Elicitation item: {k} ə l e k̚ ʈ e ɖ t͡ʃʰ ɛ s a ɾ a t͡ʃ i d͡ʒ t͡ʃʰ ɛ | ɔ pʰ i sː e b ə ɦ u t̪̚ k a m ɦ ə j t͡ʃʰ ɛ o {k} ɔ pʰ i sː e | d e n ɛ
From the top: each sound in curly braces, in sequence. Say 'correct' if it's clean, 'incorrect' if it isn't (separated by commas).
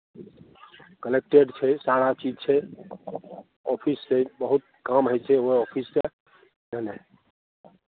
correct, incorrect